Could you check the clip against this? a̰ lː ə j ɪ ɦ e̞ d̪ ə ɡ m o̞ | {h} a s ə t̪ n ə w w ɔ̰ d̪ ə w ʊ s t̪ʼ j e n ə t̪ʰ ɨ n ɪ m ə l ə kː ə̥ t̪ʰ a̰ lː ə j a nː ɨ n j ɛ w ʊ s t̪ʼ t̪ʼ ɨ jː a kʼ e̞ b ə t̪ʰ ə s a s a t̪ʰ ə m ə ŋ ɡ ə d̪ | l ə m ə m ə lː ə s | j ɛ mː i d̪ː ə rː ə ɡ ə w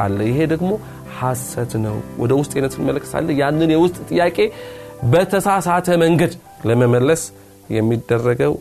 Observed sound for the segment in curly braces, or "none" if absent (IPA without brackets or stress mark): h